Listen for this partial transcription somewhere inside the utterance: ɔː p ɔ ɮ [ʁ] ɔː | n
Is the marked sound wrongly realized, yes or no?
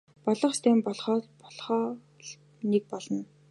yes